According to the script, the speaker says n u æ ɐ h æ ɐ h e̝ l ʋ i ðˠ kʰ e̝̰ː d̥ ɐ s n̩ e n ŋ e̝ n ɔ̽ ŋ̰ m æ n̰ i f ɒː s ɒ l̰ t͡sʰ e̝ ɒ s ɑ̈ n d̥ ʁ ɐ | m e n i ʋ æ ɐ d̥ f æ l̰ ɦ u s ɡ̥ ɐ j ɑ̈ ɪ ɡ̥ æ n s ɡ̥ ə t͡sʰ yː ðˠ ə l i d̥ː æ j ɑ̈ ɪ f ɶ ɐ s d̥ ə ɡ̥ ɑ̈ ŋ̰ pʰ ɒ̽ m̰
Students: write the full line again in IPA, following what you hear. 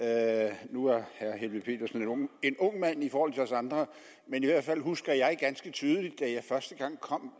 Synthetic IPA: n u æ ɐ h æ ɐ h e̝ l ʋ i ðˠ pʰ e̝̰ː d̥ ɐ s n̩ e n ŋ e̝ n ɔ̽ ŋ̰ m æ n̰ i f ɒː h ɒ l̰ t͡sʰ e̝ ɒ s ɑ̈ n d̥ ʁ ɐ | m e n i ʋ æ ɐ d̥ f æ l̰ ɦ u s ɡ̥ ɐ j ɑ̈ ɪ ɡ̥ æ n s ɡ̥ ə t͡sʰ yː ðˠ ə l i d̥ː æ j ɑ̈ ɪ f ɶ ɐ s d̥ ə ɡ̥ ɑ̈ ŋ̰ kʰ ɒ̽ m̰